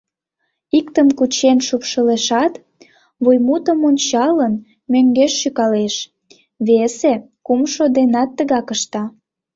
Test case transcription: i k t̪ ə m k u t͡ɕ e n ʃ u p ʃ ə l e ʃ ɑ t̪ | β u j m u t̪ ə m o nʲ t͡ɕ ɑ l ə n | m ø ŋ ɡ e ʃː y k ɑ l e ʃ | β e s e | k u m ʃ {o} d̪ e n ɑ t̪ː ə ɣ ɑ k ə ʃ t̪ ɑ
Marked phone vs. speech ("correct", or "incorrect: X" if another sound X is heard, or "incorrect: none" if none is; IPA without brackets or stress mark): correct